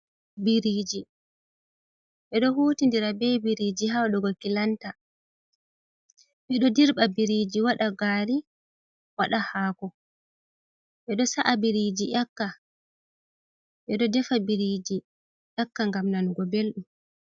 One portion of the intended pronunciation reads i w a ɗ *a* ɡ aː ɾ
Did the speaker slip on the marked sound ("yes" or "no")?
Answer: no